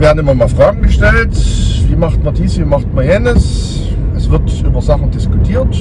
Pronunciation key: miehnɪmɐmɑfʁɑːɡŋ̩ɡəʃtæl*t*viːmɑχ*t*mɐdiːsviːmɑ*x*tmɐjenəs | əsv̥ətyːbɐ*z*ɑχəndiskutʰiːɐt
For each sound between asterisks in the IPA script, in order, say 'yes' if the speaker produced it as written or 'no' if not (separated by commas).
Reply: yes, yes, no, yes